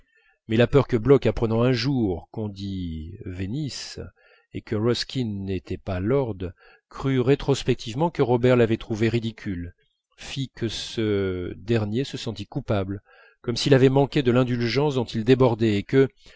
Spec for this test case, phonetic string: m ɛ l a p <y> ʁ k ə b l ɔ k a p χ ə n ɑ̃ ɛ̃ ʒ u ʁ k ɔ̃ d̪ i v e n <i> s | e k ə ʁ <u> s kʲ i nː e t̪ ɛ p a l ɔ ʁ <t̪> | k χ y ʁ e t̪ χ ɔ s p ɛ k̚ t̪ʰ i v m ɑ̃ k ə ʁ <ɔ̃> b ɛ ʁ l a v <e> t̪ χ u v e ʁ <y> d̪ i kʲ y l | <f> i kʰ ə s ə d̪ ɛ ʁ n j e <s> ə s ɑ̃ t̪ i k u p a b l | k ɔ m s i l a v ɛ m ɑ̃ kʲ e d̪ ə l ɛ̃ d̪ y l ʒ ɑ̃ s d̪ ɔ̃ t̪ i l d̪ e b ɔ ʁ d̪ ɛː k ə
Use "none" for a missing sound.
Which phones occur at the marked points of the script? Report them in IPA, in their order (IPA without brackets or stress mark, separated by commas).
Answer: œ, i, ɔ, d̪, ɔ, ɛ, i, f, s